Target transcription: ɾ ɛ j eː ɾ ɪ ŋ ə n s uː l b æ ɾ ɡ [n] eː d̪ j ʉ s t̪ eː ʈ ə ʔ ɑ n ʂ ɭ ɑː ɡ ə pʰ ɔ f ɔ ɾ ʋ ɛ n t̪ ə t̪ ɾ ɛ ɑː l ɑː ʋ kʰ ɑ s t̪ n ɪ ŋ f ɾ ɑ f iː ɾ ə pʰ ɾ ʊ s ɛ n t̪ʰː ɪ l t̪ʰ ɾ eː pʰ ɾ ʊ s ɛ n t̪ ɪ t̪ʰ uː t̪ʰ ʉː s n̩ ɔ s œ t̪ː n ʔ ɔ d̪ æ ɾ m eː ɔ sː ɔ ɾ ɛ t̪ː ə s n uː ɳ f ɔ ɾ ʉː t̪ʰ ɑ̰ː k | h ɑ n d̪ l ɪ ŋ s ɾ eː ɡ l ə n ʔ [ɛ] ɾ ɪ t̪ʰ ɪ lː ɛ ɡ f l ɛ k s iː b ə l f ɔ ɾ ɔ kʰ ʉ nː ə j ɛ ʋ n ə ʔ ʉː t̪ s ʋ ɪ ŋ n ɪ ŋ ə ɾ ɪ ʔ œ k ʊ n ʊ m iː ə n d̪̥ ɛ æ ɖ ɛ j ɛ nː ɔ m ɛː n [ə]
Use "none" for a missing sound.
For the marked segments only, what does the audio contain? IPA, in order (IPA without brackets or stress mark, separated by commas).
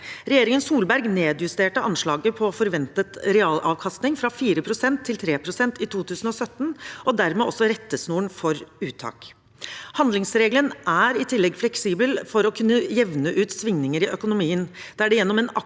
n, æ, ɑ